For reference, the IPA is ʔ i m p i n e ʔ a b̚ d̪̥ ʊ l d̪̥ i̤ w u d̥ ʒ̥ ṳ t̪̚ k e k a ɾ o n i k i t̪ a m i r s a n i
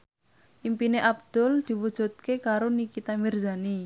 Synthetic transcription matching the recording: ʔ i m p i n e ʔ a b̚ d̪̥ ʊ l d̪̥ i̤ w u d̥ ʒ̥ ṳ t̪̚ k e k a ɾ o n i k i t̪ a m i r z a n i